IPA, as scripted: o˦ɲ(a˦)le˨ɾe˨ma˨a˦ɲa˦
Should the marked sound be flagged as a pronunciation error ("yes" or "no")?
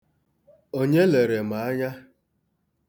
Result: yes